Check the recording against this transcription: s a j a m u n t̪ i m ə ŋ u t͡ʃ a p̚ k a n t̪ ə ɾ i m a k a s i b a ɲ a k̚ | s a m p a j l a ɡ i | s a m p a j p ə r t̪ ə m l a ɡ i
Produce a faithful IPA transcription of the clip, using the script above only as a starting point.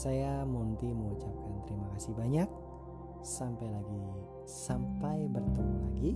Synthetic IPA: s a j a m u n t̪ i m ə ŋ u t͡ʃ a p̚ k a n t̪ ə ɾ i m a k a s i b a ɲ a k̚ | s a m p a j l a ɡ i | s a m p a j b ə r t̪ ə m l a ɡ i